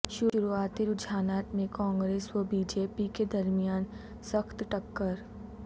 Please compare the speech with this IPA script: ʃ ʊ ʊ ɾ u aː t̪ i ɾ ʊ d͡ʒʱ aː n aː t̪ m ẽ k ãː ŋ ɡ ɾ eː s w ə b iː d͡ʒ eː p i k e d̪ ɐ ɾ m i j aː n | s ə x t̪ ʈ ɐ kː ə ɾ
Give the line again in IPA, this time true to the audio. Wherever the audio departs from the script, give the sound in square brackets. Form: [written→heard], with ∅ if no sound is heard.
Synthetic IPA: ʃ ʊ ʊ ɾ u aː t̪ i ɾ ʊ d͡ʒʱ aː n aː t̪ m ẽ k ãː ŋ ɡ ɾ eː s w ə b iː d͡ʒ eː p i k e d̪ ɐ ɾ m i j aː n | s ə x t̪ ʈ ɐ kː ə ɾ